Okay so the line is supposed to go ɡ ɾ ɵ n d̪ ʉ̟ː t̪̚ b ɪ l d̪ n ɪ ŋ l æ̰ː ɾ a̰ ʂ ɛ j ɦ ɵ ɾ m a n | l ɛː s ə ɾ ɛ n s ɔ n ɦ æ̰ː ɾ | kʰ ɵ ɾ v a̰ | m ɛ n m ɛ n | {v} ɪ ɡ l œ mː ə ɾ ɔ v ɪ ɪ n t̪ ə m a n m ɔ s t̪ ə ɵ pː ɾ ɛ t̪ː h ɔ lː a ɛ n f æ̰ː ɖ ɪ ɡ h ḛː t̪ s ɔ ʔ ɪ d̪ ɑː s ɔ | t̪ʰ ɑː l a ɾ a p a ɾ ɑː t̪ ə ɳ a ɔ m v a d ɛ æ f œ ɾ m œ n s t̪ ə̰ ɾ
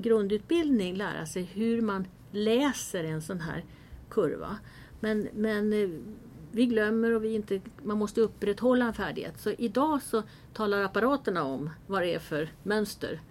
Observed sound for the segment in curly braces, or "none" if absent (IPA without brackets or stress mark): v